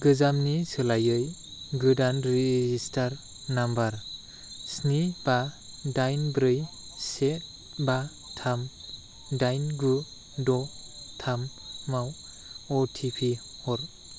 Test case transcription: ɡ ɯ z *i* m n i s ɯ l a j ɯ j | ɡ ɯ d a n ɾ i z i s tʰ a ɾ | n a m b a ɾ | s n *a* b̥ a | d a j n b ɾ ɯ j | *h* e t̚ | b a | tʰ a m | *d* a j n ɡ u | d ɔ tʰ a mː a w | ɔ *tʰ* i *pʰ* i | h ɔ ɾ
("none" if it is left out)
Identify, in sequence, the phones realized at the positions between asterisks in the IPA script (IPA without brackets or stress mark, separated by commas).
a, i, s, d, tʰ, pʰ